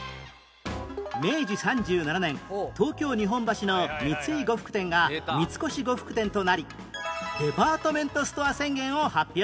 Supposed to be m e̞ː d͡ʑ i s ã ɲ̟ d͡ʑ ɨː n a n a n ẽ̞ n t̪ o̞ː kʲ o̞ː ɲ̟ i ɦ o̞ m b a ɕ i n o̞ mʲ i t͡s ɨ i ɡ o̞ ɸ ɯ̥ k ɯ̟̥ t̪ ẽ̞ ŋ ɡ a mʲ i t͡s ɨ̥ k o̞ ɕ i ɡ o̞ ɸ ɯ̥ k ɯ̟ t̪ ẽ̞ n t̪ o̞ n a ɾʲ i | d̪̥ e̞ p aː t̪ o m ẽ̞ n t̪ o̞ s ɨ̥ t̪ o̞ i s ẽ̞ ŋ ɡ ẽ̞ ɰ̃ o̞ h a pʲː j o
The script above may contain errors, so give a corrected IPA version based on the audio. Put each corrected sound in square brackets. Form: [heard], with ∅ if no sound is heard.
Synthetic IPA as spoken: m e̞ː d͡ʑ i s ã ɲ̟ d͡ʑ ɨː n a n a n ẽ̞ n t̪ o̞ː kʲ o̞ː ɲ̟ i ɦ [õ̞] m b a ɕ i n o̞ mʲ i t͡s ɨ i ɡ o̞ ɸ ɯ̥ k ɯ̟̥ t̪ ẽ̞ ŋ ɡ a mʲ i t͡s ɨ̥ k o̞ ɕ i ɡ o̞ ɸ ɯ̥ k ɯ̟ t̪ ẽ̞ n t̪ o̞ n a ɾʲ i | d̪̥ e̞ p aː t̪ o m ẽ̞ n t̪ o̞ s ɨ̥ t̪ o̞ [a] s ẽ̞ ŋ ɡ ẽ̞ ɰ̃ o̞ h a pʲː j o